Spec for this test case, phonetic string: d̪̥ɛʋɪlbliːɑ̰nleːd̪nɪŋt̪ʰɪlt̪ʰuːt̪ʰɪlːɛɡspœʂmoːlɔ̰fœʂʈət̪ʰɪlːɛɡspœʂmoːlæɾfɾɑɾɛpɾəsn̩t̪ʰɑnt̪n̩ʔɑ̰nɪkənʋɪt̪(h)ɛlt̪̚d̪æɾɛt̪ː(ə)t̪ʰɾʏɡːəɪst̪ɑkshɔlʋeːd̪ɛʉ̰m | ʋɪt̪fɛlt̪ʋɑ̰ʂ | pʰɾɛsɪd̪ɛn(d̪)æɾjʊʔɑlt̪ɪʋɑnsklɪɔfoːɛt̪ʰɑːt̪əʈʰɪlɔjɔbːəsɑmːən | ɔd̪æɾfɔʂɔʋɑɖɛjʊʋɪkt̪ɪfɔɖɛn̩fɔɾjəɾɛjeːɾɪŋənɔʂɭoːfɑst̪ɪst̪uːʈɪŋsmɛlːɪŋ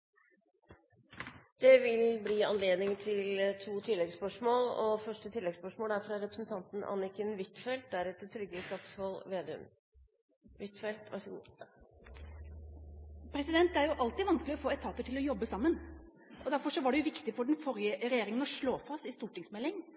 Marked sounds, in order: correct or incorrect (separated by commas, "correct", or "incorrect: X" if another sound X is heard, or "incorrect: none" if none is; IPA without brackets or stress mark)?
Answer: incorrect: f, correct, incorrect: t̪